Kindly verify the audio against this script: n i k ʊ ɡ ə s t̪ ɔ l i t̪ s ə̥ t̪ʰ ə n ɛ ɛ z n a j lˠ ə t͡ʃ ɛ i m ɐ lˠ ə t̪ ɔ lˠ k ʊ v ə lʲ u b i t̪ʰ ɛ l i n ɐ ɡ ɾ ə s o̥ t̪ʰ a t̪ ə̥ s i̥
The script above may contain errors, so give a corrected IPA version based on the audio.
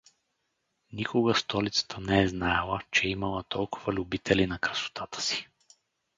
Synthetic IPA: n i k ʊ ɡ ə s t̪ ɔ l i t̪ s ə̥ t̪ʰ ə n ɛ ɛ z n a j lˠ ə t͡ʃ ɛ i m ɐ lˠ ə t̪ ɔ lˠ k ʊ v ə lʲ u b i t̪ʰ ɛ l i n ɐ k ɾ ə s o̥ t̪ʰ a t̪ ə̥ s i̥

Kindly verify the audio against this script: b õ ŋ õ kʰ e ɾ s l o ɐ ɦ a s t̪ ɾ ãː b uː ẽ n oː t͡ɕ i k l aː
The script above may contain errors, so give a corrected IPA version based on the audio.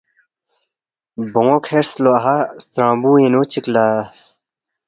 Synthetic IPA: b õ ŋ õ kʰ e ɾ s l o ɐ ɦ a s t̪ ɾ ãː b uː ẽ n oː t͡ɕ i k l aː

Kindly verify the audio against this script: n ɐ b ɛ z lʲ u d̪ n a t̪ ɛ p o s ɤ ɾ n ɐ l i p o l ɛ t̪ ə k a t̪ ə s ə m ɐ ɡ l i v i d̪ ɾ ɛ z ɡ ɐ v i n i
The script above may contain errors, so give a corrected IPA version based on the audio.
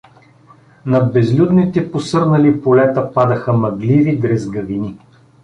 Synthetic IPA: n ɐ b ɛ z lʲ u d̪ n i t̪ ɛ p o s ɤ ɾ n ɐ l i p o l ɛ t̪ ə p a d̪ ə x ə m ɐ ɡ l i v i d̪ ɾ ɛ z ɡ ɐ v i n i

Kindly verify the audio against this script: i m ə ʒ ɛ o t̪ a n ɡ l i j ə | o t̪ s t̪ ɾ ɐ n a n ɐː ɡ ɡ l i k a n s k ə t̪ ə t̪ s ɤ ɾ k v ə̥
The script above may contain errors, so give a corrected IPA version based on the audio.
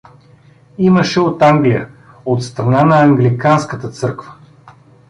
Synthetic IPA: i m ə ʃ ɛ o t̪ a ŋ ɡ l i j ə | o t̪ s t̪ ɾ ɐ n a n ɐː ŋ ɡ l i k a n s k ə t̪ ə t̪ s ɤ ɾ k v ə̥

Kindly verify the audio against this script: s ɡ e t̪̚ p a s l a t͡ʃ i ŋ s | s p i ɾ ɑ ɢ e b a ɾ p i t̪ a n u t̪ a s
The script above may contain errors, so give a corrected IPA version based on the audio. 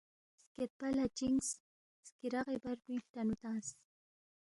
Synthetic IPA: s k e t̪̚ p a l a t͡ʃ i ŋ s | s k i ɾ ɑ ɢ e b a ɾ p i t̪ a n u t̪ a s

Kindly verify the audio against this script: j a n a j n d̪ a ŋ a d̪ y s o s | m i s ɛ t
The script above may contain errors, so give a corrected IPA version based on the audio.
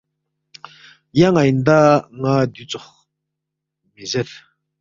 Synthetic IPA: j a ŋ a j n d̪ a ŋ a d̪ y t͡s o χ | m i z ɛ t

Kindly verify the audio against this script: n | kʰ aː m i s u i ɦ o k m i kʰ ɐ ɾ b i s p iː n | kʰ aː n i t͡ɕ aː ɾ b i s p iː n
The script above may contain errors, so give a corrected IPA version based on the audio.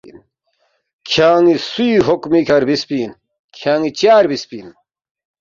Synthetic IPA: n | kʰ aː ŋ i s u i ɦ o k m i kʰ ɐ ɾ b i s p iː n | kʰ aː ŋ i t͡ɕ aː ɾ b i s p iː n

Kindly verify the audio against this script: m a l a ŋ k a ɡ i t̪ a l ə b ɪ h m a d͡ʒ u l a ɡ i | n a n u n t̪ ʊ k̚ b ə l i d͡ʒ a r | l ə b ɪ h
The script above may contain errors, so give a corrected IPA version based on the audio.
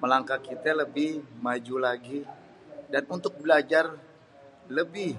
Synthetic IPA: m ə l a ŋ k a k i t̪ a l ə b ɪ h m a d͡ʒ u l a ɡ i | d a n u n t̪ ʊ k̚ b ə l a d͡ʒ a r | l ə b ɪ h

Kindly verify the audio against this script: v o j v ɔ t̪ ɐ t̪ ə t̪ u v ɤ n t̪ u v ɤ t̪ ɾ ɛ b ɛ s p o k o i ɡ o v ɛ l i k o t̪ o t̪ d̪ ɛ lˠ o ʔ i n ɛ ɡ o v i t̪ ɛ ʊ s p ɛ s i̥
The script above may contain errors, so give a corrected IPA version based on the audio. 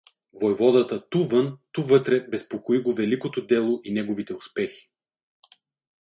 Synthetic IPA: v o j v ɔ d̪ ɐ t̪ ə t̪ u v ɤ n t̪ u v ɤ t̪ ɾ ɛ b ɛ s p o k o i ɡ o v ɛ l i k o t̪ o d̪ ɛ lˠ o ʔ i n ɛ ɡ o v i t̪ ɛ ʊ s p ɛ x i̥

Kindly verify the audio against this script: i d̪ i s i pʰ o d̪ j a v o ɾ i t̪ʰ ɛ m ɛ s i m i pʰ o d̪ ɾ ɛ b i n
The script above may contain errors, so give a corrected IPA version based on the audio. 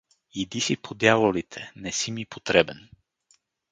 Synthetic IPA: i d̪ i s i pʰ o d̪ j a v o l i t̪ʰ ɛ n ɛ s i m i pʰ o t̪ ɾ ɛ b ɛ n

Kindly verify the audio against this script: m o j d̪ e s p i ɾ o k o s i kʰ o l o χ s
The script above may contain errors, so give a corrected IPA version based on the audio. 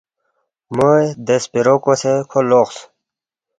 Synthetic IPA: m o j d̪ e s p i ɾ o k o s e kʰ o l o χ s

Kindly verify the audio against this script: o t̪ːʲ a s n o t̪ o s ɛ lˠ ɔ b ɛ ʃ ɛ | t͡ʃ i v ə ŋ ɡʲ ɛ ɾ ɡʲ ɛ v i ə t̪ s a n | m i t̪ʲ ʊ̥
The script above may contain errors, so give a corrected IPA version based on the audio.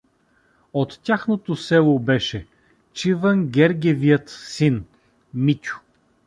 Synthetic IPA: o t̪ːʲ a x n o t̪ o s ɛ lˠ o b ɛ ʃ ɛ | t͡ʃ i v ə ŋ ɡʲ ɛ ɾ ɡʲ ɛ v i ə t̪ s i n | m i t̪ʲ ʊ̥

